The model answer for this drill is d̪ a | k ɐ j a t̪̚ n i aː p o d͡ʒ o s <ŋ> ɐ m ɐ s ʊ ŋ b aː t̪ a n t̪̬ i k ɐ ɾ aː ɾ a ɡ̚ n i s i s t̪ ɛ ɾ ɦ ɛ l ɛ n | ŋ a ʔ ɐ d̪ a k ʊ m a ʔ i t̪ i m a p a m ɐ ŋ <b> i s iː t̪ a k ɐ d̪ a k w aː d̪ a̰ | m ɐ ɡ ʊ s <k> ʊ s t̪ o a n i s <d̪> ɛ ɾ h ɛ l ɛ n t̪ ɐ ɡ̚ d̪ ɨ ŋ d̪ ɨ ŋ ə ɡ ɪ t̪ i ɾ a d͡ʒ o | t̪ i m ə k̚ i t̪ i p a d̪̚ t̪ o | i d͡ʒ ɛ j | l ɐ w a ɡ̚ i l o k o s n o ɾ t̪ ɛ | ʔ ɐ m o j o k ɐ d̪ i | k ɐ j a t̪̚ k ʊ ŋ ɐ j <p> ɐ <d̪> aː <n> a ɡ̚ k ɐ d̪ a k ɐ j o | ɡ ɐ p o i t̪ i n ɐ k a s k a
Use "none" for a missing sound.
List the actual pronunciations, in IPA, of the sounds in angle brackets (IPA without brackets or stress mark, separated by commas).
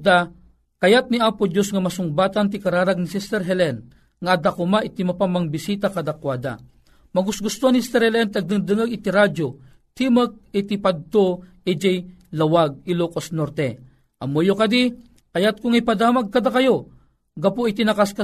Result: ŋ, b, ɡ, t̪, p, d̪, m